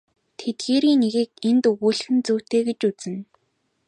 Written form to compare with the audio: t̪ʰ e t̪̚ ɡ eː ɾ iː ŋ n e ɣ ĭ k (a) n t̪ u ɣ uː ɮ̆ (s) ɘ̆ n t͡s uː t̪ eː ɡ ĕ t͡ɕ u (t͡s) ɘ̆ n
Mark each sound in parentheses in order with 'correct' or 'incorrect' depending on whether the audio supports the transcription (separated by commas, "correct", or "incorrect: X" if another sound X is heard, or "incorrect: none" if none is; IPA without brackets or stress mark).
incorrect: e, incorrect: x, correct